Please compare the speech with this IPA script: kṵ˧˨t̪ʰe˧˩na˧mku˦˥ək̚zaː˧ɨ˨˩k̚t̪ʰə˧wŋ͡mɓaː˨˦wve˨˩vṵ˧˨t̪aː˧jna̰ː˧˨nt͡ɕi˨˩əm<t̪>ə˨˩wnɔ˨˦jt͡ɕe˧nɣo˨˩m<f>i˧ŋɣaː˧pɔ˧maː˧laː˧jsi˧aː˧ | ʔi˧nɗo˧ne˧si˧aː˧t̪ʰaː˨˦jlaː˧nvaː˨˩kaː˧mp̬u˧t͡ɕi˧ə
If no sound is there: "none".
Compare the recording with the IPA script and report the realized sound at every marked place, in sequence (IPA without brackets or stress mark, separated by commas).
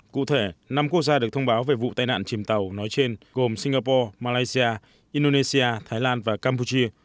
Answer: t̪, s